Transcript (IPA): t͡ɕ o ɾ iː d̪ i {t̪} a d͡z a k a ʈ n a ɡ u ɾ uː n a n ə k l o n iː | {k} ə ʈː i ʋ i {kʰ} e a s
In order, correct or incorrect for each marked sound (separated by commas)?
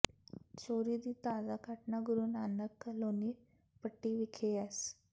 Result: correct, incorrect, correct